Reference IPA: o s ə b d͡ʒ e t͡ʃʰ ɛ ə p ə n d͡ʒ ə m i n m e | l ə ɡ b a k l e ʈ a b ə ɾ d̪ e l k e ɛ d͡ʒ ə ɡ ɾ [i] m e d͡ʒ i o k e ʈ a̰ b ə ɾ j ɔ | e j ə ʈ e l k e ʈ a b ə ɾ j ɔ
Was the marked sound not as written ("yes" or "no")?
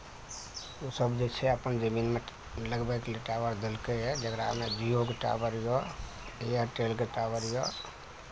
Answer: yes